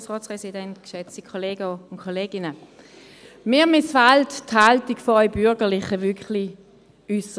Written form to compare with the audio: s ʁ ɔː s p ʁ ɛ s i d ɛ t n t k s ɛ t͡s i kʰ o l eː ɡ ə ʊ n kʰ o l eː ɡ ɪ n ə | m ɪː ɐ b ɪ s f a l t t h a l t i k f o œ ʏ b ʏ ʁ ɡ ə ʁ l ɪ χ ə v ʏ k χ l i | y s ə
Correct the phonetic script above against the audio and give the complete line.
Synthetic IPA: s ʁ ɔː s p ʁ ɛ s i d ɛ n t k ʃ ɛ t͡s i kʰ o l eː ɡ ə ʊ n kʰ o l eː ɡ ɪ n ə | m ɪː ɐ m ɪ s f a l t t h a l t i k f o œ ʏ b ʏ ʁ ɡ ə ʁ l ɪ χ ə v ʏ k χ l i | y s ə